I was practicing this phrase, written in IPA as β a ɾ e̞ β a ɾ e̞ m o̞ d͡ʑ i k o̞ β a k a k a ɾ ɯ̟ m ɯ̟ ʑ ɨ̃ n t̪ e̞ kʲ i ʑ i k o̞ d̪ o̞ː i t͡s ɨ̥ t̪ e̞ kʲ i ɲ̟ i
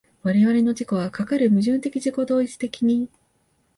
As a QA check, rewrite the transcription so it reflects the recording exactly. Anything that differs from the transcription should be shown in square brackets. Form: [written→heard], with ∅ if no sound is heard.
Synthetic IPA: β a ɾ e̞ β a ɾ e̞ [m→n] o̞ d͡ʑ i k o̞ β a k a k a ɾ ɯ̟ m ɯ̟ ʑ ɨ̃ n t̪ e̞ kʲ i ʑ i k o̞ d̪ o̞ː i t͡s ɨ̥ t̪ e̞ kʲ i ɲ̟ i